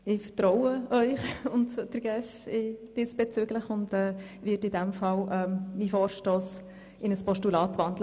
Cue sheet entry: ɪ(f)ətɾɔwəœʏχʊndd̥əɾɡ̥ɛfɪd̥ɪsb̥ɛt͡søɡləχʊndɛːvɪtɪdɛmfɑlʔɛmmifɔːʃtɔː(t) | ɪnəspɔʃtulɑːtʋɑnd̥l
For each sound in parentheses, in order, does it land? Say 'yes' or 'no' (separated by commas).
yes, no